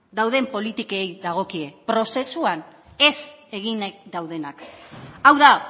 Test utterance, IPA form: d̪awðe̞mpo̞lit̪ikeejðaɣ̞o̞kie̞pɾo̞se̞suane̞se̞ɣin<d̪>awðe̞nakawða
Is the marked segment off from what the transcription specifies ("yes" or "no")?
no